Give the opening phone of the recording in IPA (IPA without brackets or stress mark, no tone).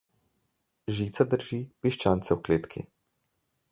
ʒ